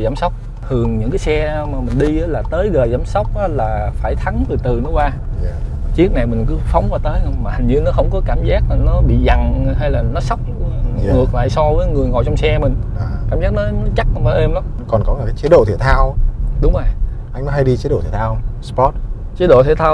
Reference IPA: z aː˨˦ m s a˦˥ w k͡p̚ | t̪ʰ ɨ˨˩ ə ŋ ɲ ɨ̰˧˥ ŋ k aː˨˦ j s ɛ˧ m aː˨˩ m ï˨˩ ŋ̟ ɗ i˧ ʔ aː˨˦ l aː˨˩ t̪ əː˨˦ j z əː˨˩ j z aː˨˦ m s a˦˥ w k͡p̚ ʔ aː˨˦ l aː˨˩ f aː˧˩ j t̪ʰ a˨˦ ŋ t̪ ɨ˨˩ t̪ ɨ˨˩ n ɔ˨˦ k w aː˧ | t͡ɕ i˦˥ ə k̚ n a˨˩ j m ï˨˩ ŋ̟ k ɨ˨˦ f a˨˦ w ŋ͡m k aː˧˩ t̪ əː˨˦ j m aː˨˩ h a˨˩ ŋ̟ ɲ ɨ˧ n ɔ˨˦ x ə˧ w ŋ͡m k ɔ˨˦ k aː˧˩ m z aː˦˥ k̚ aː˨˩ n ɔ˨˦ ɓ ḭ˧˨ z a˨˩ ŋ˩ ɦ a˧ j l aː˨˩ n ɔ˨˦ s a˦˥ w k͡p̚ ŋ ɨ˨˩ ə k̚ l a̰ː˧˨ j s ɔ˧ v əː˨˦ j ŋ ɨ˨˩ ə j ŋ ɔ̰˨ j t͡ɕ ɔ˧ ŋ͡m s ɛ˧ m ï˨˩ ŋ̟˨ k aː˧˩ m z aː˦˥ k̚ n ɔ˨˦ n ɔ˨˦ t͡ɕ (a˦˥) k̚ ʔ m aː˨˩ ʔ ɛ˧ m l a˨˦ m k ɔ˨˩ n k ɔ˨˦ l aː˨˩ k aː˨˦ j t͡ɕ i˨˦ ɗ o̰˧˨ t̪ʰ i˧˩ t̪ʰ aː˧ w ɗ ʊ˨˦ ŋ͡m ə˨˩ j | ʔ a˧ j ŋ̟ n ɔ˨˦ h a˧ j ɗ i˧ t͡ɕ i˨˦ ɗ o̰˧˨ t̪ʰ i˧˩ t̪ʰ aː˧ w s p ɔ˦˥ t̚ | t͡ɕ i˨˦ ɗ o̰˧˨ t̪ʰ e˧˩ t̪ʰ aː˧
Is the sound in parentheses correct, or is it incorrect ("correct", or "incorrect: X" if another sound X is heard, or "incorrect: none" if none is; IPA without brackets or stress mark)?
correct